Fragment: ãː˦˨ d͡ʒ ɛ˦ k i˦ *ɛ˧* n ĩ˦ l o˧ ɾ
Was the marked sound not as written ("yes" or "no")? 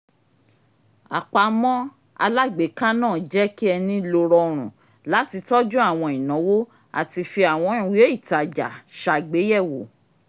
no